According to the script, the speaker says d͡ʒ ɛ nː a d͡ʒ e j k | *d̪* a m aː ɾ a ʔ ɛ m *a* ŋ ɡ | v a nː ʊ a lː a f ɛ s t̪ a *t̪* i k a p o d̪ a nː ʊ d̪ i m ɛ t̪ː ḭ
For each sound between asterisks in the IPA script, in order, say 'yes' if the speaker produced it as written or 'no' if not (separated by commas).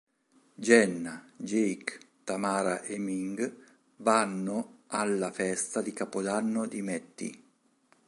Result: no, no, no